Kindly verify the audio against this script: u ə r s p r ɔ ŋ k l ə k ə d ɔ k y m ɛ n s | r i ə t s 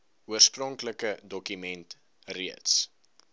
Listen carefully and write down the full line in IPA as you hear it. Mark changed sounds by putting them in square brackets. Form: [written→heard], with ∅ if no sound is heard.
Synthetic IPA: u ə r s p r ɔ ŋ k l ə k ə d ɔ k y m ɛ n [s→t] | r i ə t s